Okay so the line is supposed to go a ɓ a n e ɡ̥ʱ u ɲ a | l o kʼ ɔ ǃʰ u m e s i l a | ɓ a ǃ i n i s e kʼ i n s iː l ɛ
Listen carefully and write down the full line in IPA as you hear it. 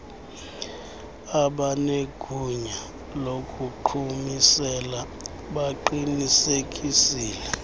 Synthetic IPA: a ɓ a n e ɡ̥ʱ u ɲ a | l o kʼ u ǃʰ u m i s ɛ l a | ɓ a ǃ i n i s e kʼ i s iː l ɛ

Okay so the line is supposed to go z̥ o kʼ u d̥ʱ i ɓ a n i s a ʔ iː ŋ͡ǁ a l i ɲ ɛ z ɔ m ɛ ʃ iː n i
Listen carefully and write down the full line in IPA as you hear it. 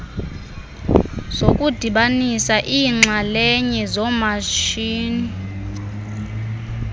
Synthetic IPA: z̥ o kʼ u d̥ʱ i ɓ a n i s a ʔ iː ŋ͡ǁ a l ɛ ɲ ɛ z ɔ m a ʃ iː n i

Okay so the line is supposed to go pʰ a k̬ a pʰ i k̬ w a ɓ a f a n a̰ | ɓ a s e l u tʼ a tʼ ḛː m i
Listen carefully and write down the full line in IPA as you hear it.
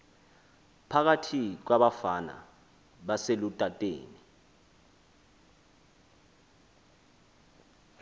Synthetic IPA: pʰ a k̬ a tʰ i k̬ w a ɓ a f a n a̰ | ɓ a s e l u tʼ a tʼ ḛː n i

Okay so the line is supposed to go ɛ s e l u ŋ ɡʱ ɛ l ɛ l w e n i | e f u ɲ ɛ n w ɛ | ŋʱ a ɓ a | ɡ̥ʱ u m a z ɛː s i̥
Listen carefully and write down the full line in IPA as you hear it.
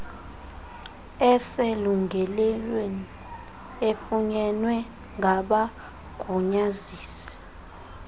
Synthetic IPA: ɛ s e l u ŋ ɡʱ ɛ l ɛ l w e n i | e f u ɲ ɛ n w ɛ | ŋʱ a ɓ a | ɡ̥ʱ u ɲ a z iː s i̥

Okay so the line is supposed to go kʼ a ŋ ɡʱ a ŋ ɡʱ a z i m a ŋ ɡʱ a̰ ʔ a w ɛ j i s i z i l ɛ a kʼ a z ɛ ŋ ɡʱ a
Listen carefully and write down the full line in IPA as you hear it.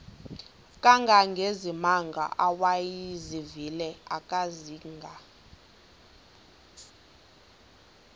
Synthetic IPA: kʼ a ŋ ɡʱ a ŋ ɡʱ e z i m a ŋ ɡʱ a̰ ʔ a w a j i z i v i l ɛ a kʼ a z i ŋ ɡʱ a

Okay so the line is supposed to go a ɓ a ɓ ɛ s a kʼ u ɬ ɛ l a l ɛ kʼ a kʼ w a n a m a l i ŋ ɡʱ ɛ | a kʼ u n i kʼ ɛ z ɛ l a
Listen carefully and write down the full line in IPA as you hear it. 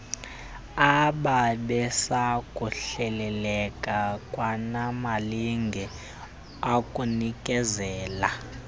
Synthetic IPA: a ɓ a ɓ ɛ s a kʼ u ɬ ɛ l ɛ l ɛ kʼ a kʼ w a n a m a l i ŋ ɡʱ ɛ | a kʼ u n i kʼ ɛ z ɛː l a

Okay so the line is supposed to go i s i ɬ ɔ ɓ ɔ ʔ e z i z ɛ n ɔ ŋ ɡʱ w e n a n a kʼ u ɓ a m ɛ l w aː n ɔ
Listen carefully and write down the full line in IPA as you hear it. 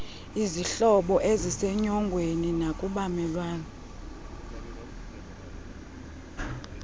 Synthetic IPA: i z i ɬ ɔ ɓ ɔ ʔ e z i s ɛ ɲ ɔ ŋ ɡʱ w e n i n a kʼ u ɓ a m ɛ l w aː n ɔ

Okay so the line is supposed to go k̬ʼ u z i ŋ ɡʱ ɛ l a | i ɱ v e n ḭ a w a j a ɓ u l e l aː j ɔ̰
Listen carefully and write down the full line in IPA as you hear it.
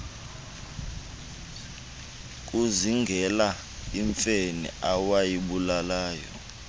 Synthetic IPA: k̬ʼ u z i ŋ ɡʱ ɛ l a | i ɱ f e n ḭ a w a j i ɓ u l a l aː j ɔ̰

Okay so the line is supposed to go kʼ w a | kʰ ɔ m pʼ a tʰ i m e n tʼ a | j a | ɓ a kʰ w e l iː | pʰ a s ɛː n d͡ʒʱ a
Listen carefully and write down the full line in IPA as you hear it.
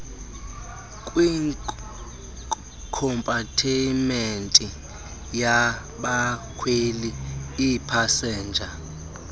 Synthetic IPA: kʼ w i | kʰ ɔ m pʼ a tʰ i m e n tʼ i | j a | ɓ a kʰ w e l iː | pʰ a s ɛː n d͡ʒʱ a

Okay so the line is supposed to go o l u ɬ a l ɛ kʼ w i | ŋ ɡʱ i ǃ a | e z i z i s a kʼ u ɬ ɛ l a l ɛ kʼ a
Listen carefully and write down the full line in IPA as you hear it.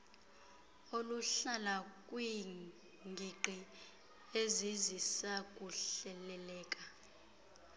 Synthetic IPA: o l u ɬ a l a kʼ w i | ŋ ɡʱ i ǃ i | e z i z i s a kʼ u ɬ ɛ l ɛ l ɛː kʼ a

